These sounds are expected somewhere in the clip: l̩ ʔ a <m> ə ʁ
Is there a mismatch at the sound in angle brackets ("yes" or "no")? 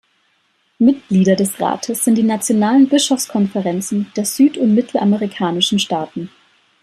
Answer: no